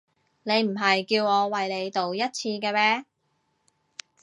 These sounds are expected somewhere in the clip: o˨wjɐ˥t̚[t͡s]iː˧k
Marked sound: incorrect: t͡sʰ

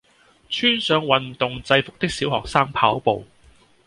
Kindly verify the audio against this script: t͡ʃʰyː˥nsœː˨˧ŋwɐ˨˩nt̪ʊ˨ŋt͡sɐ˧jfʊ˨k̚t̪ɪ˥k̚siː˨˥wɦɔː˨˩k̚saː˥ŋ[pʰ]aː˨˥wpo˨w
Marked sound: correct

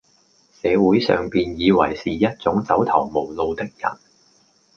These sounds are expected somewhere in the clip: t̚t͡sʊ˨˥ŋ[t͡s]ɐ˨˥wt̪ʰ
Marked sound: correct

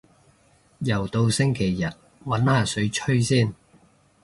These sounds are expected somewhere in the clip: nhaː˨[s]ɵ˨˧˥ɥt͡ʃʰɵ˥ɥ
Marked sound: correct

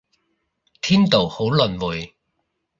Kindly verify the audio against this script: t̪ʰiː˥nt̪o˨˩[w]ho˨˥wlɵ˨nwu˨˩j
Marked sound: correct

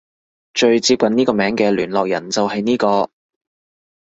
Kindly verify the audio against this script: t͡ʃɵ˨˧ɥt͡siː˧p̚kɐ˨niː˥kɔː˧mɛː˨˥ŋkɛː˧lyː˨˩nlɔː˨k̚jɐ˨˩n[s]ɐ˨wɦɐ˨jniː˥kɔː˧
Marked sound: incorrect: t͡s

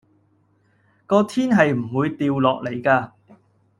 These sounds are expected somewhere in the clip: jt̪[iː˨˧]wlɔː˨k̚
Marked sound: correct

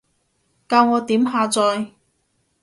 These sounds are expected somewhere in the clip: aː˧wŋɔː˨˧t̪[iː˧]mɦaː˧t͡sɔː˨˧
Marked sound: incorrect: iː˨˥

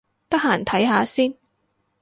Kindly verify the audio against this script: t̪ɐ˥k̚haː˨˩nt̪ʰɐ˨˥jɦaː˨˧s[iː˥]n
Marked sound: correct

